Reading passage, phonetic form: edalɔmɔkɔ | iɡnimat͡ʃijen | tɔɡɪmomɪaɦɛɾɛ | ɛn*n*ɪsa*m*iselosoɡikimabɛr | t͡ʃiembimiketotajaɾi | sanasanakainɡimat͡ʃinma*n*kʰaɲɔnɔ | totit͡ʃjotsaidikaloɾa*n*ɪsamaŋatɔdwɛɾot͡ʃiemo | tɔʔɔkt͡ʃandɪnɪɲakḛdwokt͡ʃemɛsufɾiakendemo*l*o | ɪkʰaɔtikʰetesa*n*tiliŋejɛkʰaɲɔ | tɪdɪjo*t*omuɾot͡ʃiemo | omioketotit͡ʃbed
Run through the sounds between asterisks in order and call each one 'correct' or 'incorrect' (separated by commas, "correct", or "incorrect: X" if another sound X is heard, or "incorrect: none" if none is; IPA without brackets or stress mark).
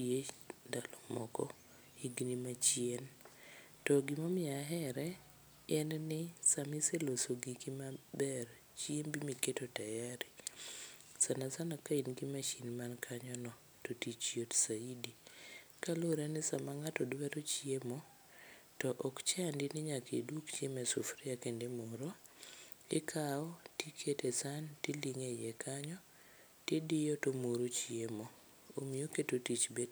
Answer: correct, correct, correct, correct, incorrect: ɾ, correct, correct